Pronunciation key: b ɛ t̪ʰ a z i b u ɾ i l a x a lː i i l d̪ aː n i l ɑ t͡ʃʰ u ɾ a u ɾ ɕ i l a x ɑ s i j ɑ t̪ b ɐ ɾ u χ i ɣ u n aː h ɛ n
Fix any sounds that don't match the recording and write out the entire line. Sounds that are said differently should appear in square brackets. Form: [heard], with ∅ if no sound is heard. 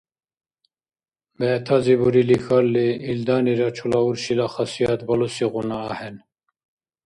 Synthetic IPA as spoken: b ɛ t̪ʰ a z i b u ɾ i l [i] x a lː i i l d̪ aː n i [ɾ] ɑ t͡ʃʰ u [l] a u ɾ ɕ i l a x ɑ s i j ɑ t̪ b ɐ [l] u [s] i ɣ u n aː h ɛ n